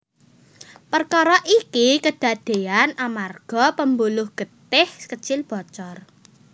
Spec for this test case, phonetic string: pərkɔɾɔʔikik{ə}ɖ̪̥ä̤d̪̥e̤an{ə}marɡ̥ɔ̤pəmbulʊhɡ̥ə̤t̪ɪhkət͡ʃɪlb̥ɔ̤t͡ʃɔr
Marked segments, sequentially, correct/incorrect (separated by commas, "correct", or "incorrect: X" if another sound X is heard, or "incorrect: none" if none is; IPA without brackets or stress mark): correct, incorrect: a